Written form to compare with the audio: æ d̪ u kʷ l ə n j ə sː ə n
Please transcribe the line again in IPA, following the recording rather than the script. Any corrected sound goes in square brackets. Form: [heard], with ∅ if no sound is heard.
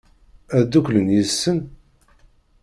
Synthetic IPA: æ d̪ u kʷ l ə n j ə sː ə n